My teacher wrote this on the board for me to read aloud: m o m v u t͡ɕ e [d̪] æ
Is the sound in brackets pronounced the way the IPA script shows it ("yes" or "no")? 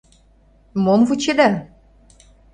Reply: yes